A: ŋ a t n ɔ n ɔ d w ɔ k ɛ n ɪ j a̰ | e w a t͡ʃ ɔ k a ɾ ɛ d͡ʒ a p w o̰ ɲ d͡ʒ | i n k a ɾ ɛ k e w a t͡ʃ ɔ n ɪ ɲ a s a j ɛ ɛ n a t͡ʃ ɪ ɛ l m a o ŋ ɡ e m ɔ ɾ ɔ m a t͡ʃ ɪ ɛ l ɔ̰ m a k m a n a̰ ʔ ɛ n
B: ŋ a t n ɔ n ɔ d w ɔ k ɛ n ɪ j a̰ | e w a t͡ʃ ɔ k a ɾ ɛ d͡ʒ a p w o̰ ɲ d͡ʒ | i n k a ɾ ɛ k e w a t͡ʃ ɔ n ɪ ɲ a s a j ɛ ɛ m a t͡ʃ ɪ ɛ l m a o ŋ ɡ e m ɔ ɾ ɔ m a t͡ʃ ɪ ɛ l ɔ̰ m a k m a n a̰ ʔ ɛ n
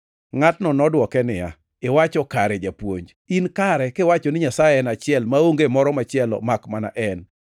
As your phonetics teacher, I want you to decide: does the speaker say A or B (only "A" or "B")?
A